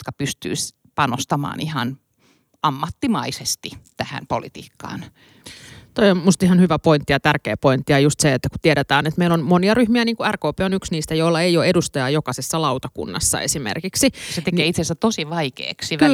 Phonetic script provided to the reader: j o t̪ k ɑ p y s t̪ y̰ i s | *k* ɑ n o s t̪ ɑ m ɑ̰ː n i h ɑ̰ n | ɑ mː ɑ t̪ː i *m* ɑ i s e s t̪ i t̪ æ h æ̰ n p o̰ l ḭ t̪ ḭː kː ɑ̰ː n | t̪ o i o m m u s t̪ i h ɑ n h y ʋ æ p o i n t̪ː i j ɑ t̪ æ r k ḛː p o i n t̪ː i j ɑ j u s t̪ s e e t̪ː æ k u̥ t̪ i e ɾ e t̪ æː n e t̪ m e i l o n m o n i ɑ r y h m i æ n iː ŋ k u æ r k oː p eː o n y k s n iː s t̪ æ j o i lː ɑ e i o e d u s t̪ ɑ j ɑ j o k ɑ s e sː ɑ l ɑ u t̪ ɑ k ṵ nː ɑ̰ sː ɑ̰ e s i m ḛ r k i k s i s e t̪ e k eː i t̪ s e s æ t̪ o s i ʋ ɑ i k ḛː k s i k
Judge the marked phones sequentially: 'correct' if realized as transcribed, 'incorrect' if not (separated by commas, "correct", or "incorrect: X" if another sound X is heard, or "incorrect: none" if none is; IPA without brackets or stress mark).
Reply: incorrect: p, correct